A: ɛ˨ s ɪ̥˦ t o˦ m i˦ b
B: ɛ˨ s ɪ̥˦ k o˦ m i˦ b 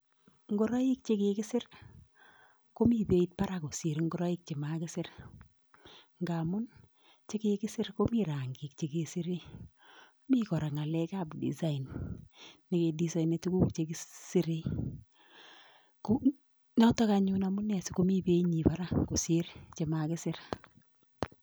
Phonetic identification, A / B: B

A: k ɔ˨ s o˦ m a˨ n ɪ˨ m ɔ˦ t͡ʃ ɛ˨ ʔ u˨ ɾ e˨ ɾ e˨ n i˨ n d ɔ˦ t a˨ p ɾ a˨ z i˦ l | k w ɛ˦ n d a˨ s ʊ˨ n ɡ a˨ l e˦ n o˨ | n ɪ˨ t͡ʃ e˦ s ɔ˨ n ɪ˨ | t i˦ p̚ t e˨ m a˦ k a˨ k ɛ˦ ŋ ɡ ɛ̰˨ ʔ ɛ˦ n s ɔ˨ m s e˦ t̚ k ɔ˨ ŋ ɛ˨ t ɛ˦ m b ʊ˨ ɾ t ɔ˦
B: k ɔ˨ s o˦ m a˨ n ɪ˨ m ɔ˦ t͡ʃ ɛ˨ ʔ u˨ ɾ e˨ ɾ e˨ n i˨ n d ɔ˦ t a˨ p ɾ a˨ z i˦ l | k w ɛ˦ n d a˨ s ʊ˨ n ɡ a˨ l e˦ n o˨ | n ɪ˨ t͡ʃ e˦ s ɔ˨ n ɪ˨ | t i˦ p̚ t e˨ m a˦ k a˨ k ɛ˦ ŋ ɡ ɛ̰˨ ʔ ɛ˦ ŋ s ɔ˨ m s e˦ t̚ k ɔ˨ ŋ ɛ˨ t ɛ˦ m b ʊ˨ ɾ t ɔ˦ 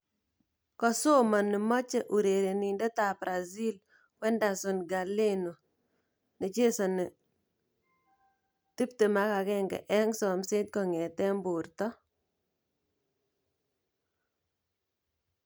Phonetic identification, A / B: B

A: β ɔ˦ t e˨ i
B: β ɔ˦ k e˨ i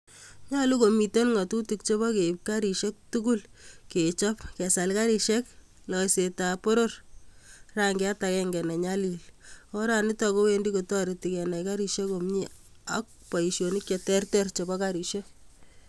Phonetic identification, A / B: B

